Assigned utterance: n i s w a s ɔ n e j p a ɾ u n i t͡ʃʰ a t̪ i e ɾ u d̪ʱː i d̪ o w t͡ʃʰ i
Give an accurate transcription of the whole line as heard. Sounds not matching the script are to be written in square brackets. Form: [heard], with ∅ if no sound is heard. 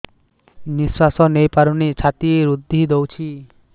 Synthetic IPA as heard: n i s w a s ɔ n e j p a ɾ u n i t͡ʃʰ a t̪ i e ɾ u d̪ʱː i d̪ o w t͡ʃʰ i

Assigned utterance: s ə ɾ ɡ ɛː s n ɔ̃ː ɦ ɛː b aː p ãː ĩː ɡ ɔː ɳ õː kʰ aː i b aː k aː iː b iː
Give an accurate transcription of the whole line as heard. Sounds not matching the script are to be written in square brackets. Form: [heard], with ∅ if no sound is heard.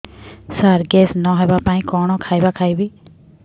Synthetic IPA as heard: s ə ɾ ɡ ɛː s n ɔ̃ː ɦ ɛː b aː p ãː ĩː [k] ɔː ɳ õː kʰ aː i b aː [kʰ] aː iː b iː

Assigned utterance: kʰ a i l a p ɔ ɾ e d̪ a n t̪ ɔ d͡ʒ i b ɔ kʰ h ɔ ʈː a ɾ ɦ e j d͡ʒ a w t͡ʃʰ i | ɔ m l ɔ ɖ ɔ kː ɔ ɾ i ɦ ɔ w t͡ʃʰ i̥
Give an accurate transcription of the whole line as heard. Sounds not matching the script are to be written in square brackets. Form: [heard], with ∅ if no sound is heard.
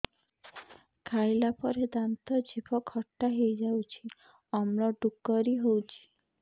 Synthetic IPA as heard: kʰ a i l a p ɔ ɾ e d̪ a n t̪ ɔ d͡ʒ i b ɔ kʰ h ɔ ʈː a [∅] ɦ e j d͡ʒ a w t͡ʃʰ i | ɔ m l ɔ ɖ [u] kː ɔ ɾ i ɦ [o] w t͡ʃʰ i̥

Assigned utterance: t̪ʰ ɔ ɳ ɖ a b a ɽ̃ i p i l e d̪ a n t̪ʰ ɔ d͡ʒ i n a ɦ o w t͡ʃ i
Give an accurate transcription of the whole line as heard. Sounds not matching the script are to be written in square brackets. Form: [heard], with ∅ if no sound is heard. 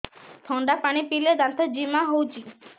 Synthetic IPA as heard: t̪ʰ ɔ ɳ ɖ a [p] a ɽ̃ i p i l e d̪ a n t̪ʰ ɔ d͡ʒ i [m] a ɦ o w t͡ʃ i

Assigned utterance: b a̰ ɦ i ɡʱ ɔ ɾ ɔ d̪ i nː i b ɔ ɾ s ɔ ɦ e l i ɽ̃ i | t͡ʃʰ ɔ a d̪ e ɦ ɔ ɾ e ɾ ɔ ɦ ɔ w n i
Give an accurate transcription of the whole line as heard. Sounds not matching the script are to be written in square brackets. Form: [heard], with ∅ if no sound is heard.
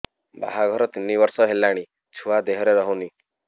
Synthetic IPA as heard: b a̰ ɦ [a] ɡʱ ɔ ɾ ɔ [t̪] i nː i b ɔ ɾ s ɔ ɦ e l [a] ɽ̃ i | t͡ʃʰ [u] a d̪ e ɦ ɔ ɾ e ɾ ɔ ɦ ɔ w n i

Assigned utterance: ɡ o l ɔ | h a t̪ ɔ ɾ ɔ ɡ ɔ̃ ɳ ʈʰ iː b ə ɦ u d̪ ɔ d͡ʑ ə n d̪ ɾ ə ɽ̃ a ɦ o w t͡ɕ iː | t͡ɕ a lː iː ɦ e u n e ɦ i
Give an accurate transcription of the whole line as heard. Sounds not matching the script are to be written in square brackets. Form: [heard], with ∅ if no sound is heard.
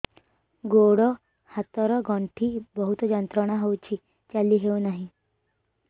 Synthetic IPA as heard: ɡ o [ɽ] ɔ | h a t̪ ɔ ɾ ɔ ɡ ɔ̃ ɳ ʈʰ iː b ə ɦ u [t̪] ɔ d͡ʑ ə n [t̪] ɾ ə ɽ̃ a ɦ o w t͡ɕ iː | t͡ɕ a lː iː ɦ e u n [a] ɦ i

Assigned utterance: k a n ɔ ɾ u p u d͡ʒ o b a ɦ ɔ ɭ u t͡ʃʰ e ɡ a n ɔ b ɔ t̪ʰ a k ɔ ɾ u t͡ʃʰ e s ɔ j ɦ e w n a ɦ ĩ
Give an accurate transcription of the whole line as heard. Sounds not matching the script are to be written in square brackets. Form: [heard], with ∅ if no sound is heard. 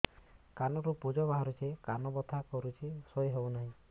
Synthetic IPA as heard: k a n ɔ ɾ u p u d͡ʒ [ɔ] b a ɦ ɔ [ɾ] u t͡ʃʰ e [k] a n ɔ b ɔ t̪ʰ a k ɔ ɾ u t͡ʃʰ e s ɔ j ɦ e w n a ɦ ĩ

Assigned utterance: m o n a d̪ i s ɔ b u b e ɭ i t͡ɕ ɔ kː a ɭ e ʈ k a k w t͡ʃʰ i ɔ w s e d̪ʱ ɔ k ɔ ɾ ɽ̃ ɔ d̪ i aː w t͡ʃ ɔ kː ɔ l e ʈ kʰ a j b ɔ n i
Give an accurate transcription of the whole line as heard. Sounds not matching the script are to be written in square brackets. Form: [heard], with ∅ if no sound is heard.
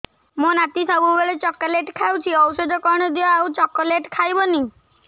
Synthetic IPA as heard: m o n a [t̪] i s ɔ b u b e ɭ [e] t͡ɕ ɔ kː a [l] e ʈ [kʰ] a [∅] w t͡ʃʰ i ɔ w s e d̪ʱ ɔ k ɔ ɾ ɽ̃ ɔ d̪ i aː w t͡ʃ ɔ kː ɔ l e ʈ kʰ a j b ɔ n i

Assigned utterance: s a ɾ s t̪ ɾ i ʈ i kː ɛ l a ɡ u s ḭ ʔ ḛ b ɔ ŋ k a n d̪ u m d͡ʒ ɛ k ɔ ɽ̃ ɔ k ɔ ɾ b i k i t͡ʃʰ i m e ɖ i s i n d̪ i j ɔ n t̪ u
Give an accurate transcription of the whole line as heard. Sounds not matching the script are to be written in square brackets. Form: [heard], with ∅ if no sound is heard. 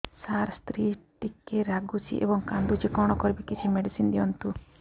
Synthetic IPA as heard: s a ɾ s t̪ ɾ i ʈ i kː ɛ [ɾ] a ɡ u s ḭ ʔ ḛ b ɔ ŋ k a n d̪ u [∅] d͡ʒ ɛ k ɔ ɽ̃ ɔ k ɔ ɾ b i k i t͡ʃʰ i m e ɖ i s i n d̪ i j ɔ n t̪ u

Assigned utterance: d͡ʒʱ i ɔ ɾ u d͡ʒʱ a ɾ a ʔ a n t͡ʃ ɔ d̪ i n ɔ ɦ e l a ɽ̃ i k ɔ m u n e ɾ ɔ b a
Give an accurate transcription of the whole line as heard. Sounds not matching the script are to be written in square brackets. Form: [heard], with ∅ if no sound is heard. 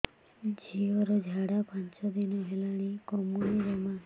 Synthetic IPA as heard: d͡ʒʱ i ɔ ɾ [ɔ] d͡ʒʱ a [ɽ] a [p] a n t͡ʃ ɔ d̪ i n ɔ ɦ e l a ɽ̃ i k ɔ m u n [i] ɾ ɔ [m] a

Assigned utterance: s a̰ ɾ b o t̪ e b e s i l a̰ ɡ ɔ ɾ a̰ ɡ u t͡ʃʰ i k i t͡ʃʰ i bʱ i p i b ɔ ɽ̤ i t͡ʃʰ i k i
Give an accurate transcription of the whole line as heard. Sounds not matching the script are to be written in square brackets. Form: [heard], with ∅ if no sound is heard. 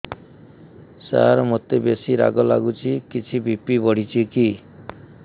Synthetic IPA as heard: s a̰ ɾ [m] o t̪ e b e s i [ɾ] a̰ ɡ ɔ [l] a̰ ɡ u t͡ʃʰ i k i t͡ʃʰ i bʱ i p i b ɔ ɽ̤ i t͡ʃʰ i k i

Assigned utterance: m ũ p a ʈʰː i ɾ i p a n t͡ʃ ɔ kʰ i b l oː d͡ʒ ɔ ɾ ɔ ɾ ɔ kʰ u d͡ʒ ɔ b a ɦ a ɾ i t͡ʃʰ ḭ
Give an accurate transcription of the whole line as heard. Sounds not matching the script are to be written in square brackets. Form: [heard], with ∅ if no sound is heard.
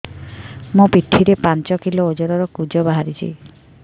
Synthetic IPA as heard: m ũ p [i] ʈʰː i ɾ [e] p a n t͡ʃ ɔ [k] i [∅] l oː d͡ʒ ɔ ɾ ɔ ɾ ɔ [k] u d͡ʒ ɔ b a ɦ a ɾ i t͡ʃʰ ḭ

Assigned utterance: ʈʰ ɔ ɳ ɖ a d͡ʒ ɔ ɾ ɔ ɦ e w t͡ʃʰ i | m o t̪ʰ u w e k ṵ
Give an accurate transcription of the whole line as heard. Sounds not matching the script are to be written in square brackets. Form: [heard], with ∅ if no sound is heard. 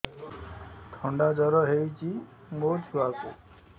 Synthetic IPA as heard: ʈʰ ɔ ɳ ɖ a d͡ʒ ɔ ɾ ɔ ɦ e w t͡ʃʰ i | m o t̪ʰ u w [a] k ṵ

